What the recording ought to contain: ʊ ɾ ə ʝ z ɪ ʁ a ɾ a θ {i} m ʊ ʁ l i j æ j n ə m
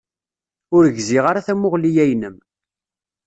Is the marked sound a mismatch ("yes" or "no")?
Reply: yes